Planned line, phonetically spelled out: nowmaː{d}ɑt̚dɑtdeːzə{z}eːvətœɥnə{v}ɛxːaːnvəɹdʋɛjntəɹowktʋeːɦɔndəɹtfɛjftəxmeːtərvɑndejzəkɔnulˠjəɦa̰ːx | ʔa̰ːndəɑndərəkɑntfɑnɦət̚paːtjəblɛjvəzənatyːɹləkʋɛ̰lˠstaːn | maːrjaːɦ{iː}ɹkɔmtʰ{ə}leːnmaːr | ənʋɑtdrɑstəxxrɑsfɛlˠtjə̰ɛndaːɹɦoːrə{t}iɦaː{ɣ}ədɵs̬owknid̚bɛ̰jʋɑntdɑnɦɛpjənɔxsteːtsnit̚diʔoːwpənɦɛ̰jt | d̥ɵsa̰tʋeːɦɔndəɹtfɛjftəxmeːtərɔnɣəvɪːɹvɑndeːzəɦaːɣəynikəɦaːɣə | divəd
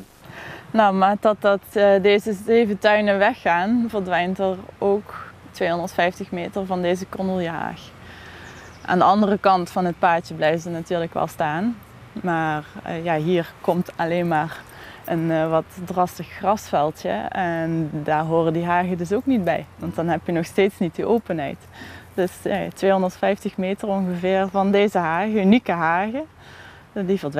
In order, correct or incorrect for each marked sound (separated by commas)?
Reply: correct, correct, incorrect, correct, incorrect, incorrect, correct